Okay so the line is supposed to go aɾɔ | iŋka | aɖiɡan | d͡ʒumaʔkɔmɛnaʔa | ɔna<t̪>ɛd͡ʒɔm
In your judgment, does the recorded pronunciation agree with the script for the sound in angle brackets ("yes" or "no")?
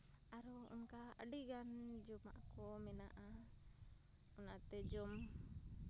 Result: yes